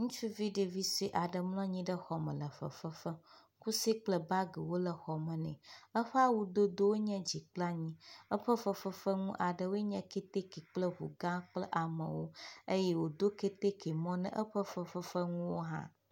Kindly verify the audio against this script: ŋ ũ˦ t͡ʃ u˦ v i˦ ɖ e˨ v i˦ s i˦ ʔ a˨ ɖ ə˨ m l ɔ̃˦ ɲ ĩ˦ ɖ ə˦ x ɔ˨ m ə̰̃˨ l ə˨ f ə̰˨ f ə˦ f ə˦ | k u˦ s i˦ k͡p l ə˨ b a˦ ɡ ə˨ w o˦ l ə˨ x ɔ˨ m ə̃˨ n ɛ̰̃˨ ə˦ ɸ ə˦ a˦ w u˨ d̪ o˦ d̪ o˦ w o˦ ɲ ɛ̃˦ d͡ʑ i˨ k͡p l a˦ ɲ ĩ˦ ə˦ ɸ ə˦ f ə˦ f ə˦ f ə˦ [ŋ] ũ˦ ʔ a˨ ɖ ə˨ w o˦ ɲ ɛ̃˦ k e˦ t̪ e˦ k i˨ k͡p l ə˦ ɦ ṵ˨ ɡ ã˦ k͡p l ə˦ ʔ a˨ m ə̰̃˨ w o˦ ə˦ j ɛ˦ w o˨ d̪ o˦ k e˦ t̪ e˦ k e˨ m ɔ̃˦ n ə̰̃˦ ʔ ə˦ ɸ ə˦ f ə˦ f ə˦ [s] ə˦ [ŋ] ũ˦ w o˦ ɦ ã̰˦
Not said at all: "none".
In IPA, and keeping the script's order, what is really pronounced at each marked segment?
ŋ, f, ŋ

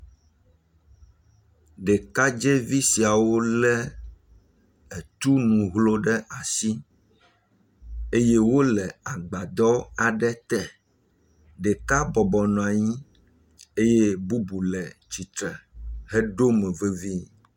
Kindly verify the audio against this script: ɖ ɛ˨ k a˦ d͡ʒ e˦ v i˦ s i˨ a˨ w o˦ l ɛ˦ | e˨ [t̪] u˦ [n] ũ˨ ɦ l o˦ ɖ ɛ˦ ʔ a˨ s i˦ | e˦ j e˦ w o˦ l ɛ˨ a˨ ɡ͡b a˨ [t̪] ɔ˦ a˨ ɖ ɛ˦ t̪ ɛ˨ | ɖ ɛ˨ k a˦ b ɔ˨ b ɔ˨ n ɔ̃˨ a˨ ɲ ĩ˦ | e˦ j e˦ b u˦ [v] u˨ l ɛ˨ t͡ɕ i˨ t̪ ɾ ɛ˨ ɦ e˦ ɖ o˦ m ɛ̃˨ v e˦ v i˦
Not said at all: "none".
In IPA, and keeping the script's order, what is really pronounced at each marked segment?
t̪, n, d̪, b

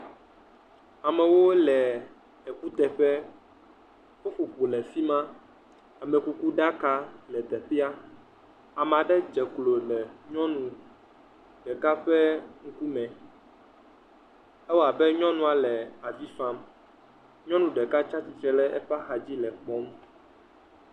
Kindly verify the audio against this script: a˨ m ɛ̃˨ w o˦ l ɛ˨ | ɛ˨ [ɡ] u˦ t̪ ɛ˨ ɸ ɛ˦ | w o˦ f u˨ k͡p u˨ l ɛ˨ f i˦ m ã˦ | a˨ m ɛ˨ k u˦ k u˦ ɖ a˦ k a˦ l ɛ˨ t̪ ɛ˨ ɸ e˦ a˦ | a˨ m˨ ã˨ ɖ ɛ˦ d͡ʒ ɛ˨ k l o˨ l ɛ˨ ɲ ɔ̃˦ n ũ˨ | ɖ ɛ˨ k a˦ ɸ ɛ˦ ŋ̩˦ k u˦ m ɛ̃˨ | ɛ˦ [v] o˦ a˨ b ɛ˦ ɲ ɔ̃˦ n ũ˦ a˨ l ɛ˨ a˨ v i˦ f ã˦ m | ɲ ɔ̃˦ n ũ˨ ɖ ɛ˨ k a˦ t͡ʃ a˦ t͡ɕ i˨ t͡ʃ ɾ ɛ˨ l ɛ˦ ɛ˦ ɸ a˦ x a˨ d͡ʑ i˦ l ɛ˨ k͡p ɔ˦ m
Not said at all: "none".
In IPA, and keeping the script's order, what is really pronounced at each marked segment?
k, w

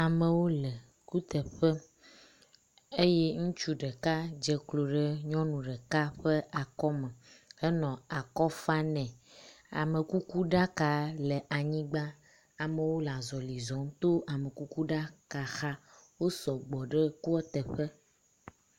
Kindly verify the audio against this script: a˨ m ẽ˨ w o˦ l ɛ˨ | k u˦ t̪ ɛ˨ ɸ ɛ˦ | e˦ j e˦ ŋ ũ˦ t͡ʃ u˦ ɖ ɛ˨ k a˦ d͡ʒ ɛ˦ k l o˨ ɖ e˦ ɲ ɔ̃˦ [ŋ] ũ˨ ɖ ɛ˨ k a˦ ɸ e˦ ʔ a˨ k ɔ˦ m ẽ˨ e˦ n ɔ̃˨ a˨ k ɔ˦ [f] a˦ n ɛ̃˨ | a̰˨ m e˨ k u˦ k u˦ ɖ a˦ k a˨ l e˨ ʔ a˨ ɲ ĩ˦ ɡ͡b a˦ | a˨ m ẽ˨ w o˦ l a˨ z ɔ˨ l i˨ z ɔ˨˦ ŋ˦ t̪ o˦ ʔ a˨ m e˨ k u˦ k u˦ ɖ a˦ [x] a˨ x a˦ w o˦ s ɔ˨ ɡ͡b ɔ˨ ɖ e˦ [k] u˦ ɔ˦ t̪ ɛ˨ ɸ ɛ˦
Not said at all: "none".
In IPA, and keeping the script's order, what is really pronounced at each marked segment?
n, f, k, k

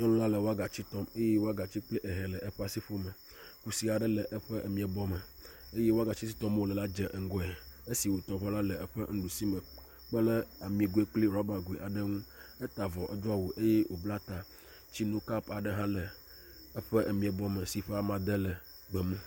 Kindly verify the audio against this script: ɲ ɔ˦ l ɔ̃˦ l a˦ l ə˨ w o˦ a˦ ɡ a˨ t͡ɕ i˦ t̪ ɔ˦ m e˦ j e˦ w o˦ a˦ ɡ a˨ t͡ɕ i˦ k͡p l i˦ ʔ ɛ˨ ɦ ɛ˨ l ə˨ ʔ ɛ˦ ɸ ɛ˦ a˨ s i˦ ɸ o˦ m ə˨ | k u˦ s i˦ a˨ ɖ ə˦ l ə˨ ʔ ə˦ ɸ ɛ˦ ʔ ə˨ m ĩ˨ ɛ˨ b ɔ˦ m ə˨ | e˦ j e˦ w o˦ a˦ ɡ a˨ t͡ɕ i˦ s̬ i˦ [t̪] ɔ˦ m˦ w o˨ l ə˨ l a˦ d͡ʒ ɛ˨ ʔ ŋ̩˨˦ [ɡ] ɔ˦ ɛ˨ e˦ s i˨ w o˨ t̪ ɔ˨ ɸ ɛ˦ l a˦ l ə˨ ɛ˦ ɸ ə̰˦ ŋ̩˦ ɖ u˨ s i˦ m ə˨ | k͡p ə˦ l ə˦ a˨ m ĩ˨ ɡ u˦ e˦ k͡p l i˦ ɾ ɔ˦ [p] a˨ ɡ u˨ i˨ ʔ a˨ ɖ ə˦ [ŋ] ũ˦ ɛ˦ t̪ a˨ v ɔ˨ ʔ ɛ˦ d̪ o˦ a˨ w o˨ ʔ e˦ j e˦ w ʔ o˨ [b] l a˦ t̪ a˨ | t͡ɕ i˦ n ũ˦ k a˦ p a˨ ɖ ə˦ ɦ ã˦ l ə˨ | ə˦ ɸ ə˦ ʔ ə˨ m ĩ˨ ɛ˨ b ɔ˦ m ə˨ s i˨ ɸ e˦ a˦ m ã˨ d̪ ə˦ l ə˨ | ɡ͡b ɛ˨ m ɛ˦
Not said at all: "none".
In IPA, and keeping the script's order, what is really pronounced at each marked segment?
t̪, ɡ, b, ŋ, b

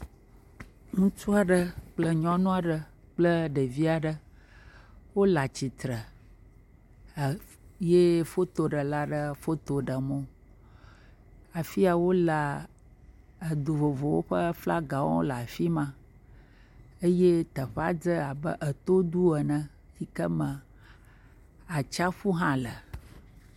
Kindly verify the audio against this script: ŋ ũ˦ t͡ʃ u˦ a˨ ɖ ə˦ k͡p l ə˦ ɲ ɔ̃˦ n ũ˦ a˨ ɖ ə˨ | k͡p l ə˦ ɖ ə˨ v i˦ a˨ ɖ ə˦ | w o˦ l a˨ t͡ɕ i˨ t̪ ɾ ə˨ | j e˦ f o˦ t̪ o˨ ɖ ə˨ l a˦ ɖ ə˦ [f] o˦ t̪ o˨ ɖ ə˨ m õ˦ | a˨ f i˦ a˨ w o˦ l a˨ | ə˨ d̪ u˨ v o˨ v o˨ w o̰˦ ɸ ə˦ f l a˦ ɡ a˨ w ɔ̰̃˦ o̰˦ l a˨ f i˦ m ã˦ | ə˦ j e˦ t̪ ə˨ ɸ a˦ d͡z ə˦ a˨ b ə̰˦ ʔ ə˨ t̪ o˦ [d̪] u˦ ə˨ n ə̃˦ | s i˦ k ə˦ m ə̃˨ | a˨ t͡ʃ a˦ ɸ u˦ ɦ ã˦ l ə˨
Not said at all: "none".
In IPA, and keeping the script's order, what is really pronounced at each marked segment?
f, d̪

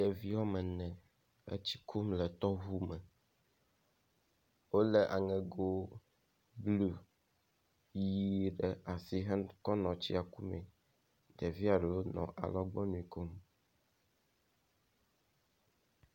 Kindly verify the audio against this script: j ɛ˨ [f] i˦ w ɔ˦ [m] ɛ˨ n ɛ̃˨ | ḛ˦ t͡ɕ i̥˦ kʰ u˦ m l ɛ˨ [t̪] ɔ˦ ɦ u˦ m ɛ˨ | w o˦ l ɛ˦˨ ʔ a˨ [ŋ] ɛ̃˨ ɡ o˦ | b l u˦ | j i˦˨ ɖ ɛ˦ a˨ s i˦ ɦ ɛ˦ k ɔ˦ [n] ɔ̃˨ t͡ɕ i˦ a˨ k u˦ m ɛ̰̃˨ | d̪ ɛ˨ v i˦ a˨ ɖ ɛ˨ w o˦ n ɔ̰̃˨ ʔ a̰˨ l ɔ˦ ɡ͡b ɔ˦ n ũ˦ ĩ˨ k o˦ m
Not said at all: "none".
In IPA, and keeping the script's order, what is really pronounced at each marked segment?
v, m, t̪, ŋ, n

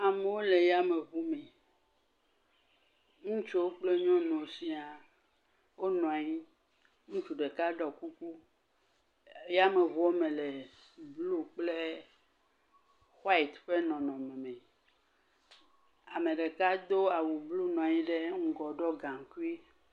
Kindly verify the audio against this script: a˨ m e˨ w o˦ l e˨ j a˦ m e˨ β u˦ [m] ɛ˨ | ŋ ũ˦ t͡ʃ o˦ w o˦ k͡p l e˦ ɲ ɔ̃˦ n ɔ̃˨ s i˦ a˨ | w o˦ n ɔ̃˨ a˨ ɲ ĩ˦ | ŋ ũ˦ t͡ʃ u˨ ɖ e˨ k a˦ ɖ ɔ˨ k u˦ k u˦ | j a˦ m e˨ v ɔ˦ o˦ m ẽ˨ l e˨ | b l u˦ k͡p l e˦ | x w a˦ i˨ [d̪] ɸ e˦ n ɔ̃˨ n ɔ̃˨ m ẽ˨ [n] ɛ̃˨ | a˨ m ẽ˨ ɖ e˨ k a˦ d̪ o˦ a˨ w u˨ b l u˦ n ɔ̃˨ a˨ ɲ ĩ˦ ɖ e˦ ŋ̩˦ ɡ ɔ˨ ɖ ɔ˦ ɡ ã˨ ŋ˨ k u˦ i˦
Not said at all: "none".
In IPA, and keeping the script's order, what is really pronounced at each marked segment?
m, t̪, m

